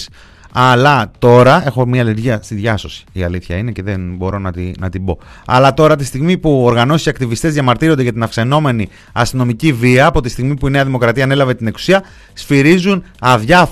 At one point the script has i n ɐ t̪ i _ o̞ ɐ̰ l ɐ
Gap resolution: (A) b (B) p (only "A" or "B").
A